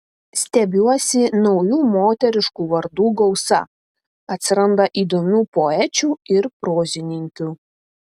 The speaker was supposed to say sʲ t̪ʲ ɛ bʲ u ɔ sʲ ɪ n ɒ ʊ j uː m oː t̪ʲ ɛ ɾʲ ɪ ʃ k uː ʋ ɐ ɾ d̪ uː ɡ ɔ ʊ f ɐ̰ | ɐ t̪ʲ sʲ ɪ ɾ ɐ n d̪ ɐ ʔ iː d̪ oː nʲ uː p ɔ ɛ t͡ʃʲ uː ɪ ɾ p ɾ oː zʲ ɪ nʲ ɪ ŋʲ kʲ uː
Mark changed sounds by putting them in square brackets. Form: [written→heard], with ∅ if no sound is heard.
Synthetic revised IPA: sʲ t̪ʲ ɛ bʲ u ɔ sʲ ɪ n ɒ ʊ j uː m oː t̪ʲ ɛ ɾʲ ɪ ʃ k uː ʋ ɐ ɾ d̪ uː ɡ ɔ ʊ [f→s] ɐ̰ | ɐ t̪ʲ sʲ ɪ ɾ ɐ n d̪ ɐ ʔ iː d̪ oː [nʲ→mʲ] uː p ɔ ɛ t͡ʃʲ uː ɪ ɾ p ɾ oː zʲ ɪ nʲ ɪ ŋʲ kʲ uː